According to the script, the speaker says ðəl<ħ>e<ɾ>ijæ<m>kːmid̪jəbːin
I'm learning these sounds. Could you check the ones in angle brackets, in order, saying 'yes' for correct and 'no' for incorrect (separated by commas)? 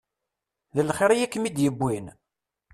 no, yes, no